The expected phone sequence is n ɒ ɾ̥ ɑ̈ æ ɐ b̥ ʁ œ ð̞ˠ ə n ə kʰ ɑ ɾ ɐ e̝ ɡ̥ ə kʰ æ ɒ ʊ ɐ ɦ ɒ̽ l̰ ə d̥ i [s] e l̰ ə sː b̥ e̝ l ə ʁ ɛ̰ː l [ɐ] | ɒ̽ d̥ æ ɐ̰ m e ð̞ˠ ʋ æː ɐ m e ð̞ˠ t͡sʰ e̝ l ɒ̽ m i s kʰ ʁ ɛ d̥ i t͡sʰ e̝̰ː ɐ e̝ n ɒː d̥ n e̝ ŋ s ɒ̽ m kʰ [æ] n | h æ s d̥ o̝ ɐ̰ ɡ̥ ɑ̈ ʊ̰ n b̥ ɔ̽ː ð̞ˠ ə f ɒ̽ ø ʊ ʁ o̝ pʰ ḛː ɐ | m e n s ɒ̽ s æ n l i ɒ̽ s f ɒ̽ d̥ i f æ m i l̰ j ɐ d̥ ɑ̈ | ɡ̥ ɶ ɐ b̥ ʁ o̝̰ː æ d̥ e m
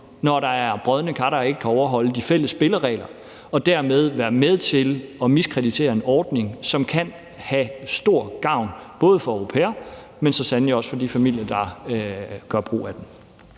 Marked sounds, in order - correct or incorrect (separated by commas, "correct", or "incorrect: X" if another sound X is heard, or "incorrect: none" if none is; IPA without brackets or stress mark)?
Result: incorrect: f, correct, correct